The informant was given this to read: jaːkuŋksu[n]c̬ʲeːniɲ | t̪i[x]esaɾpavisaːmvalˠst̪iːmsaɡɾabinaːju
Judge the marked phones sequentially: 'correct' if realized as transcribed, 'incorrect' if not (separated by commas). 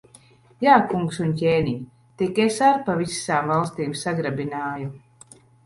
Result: correct, incorrect